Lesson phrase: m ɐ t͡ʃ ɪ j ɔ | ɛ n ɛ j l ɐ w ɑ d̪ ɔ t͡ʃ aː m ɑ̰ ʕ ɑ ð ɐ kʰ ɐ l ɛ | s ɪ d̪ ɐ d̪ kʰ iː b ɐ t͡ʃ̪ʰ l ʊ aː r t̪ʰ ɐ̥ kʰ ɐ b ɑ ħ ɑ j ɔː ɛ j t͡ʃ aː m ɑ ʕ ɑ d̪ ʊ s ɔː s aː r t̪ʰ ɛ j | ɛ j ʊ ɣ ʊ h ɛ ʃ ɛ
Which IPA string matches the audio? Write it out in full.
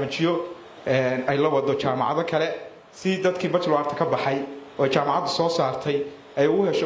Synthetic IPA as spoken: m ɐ t͡ʃ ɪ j ɔ | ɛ n ɛ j l ɐ w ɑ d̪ ɔ t͡ʃ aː m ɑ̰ ʕ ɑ ð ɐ kʰ ɐ l ɛ | s ɪ d̪ ɐ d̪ kʰ iː b ɐ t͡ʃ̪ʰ l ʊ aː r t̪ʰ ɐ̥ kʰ ɐ b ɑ ħ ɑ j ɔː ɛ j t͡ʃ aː m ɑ ʕ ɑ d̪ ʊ s ɔː s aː r t̪ʰ ɛ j | ɛ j ʊ ɣ ʊ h ɛ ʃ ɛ

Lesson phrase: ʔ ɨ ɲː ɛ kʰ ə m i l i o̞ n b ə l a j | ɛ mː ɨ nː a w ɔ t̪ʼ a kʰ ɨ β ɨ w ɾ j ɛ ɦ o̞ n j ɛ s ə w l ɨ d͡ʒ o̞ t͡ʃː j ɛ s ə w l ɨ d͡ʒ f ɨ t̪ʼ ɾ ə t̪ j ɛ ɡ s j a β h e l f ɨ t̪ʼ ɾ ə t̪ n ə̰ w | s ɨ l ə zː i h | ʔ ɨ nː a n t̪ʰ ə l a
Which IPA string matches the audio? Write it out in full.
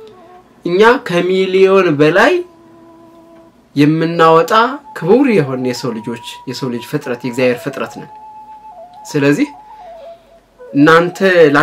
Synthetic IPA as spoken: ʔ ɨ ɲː a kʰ ə m i l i o̞ n b ə l a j | ɛ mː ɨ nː a w ɔ t̪ʼ a kʰ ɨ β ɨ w ɾ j ɛ ɦ o̞ n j ɛ s ə w l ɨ d͡ʒ o̞ t͡ʃː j ɛ s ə w l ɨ d͡ʒ f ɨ t̪ʼ ɾ ə t̪ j ɛ ɡ z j a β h e ɾ f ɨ t̪ʼ ɾ ə t̪ n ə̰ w | s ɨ l ə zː i h | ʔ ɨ nː a n t̪ʰ ə l a

